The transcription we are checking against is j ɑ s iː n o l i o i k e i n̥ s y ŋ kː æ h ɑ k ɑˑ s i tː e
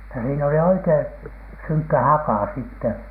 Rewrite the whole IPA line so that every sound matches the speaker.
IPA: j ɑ s iː n o l i o i k e i n̥ s y ŋ kː æ h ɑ k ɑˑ s i tː e